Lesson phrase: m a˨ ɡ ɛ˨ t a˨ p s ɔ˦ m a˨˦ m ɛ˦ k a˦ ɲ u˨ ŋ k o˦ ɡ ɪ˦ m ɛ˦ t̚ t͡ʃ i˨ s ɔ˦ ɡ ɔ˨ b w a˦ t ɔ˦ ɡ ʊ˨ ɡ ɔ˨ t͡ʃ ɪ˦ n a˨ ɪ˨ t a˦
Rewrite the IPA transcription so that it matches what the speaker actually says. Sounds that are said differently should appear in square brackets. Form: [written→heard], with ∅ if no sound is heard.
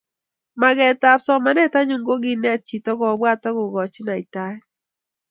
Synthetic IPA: m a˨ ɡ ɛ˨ t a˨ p s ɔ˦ m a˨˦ [m→n] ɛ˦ [k→t] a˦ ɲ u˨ ŋ [k→ɡ] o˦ ɡ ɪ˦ [m→n] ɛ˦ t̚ t͡ʃ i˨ [s→t] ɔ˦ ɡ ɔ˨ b w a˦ t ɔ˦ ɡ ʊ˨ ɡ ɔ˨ t͡ʃ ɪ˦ n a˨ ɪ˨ t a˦